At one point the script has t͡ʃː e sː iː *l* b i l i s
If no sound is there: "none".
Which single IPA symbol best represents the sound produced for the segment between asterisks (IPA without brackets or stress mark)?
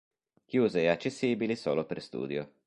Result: none